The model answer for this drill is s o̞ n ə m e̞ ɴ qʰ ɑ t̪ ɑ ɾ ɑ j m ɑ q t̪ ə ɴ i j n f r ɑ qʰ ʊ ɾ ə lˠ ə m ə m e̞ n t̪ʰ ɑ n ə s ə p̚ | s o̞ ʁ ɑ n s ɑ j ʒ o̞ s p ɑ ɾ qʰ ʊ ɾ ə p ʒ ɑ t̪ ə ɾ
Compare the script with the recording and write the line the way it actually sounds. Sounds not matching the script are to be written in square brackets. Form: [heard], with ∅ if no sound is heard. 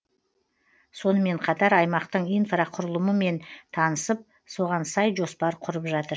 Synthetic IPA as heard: s o̞ n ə m e̞ ɴ qʰ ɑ t̪ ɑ ɾ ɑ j m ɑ q t̪ ə ɴ i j n f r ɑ qʰ ʊ ɾ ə lˠ ə m ə m e̞ n t̪ʰ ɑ n ə s ə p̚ | s o̞ ʁ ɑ n s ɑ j ʒ o̞ s p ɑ ɾ qʰ ʊ ɾ ə p ʒ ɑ t̪ ə ɾ